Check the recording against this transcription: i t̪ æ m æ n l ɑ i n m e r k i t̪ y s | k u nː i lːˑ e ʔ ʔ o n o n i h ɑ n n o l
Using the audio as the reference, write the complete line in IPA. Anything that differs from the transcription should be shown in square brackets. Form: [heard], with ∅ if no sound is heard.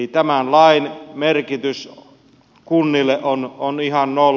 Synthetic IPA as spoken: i t̪ æ m æ n l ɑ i n m e r k i t̪ y s | k u nː i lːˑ e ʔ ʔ o n o n i h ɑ n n o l